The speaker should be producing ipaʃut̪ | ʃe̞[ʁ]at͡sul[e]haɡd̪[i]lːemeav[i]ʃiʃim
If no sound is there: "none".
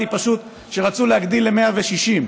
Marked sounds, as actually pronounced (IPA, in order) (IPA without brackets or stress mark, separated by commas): ʁ, e, i, e